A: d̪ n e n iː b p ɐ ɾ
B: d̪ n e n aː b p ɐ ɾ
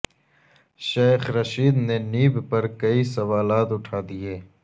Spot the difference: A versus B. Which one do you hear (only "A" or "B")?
A